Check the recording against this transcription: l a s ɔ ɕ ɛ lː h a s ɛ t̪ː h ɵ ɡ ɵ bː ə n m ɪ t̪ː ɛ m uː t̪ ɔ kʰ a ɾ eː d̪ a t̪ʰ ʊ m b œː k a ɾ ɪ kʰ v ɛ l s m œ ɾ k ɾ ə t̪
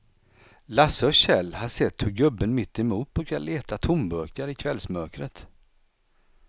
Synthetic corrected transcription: l a s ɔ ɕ ɛ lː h a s ɛ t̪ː h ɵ ɡ ɵ bː ə n m ɪ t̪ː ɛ m uː t̪ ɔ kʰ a l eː t̪ a t̪ʰ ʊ m b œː k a ɾ ɪ kʰ v ɛ l s m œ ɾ k ɾ ə t̪